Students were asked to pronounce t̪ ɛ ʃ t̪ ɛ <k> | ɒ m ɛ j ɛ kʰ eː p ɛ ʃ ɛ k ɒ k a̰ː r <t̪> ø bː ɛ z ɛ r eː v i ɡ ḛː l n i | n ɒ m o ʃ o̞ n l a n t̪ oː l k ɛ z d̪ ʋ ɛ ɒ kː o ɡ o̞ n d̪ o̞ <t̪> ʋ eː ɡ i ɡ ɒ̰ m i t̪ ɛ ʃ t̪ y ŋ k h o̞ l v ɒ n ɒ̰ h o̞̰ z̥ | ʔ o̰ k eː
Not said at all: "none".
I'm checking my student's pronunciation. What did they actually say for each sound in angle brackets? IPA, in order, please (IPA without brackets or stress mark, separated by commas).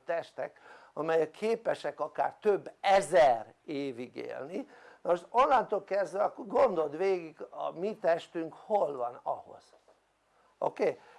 k, t̪, d̪